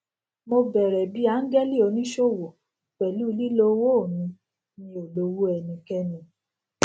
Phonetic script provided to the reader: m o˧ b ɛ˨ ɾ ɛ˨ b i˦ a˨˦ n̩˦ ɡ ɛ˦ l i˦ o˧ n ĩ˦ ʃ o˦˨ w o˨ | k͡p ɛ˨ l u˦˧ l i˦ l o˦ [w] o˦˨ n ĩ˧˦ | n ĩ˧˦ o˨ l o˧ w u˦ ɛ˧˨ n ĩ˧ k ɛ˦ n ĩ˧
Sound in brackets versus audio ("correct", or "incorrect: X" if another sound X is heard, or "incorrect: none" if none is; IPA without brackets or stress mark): correct